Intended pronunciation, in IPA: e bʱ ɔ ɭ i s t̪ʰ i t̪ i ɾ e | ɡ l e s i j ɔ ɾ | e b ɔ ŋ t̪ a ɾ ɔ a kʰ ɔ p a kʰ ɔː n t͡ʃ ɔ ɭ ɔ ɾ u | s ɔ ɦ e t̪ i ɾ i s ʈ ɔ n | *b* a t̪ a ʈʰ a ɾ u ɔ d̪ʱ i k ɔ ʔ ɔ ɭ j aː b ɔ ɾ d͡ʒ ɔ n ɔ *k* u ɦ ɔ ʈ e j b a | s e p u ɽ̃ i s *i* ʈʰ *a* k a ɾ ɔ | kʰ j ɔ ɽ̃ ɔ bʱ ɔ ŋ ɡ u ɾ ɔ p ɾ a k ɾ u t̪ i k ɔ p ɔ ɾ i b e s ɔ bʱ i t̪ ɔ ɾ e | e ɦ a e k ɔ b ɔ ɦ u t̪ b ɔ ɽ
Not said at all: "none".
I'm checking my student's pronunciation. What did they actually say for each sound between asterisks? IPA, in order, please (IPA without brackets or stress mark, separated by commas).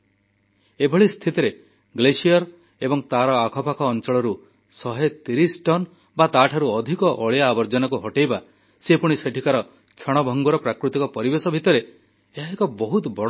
b, k, e, i